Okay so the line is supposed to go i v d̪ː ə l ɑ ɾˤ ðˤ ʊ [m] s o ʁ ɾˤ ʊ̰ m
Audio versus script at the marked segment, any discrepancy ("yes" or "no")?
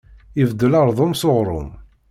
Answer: no